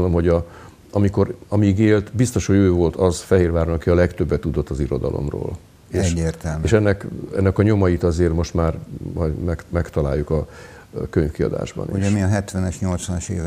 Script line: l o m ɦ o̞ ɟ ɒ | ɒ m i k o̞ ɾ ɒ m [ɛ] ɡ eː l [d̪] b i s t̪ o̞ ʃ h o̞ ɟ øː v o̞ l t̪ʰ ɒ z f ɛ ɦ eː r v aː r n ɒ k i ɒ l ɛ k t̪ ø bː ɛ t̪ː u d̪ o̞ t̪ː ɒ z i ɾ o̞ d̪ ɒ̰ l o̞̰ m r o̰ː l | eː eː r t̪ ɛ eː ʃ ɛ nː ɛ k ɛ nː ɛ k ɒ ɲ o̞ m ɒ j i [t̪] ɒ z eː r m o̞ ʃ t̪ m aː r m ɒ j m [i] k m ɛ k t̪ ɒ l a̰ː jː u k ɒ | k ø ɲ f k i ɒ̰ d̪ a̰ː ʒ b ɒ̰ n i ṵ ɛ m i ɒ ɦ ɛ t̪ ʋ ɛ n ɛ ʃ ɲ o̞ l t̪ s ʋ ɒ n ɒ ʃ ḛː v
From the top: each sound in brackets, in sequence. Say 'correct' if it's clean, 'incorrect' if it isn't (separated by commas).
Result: incorrect, incorrect, correct, incorrect